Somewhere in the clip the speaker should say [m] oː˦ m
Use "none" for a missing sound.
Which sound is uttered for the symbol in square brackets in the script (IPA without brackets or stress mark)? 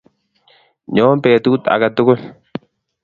ɲ